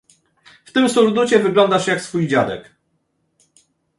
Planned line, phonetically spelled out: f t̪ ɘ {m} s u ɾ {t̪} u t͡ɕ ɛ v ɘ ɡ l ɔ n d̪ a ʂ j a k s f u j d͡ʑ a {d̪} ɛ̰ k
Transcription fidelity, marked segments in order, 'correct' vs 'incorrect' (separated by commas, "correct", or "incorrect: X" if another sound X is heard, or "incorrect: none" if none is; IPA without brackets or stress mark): correct, incorrect: d̪, correct